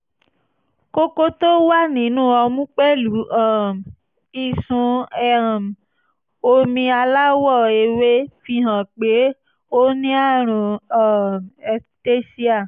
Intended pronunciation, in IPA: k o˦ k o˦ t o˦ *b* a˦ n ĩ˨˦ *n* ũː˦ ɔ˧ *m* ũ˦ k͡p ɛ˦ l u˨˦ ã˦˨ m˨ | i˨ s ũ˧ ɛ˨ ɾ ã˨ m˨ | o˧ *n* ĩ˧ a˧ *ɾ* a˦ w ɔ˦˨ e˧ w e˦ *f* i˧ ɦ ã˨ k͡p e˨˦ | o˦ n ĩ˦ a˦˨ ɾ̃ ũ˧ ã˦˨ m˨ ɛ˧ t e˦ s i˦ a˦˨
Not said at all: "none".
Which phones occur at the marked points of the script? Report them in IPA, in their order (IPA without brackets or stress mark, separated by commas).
w, n, m, m, l, f